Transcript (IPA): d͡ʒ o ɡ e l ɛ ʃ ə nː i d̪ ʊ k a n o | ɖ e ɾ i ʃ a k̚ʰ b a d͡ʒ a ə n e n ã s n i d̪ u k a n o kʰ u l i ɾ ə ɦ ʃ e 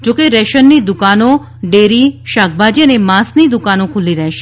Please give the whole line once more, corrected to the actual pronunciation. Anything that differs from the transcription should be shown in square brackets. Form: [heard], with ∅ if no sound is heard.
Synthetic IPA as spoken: d͡ʒ o [k] e [ɾ] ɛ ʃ ə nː i d̪ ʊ k a n o | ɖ e ɾ i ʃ a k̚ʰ b a d͡ʒ [i] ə n e [m] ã s n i d̪ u k a n o kʰ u l i ɾ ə ɦ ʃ e